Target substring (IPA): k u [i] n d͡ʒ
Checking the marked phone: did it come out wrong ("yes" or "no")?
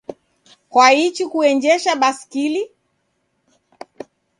yes